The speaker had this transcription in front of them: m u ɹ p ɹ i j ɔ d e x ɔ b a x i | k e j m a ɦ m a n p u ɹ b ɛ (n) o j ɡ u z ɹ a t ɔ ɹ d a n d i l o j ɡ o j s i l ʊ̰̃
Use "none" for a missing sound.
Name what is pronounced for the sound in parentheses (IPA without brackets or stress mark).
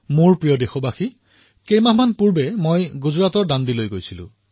m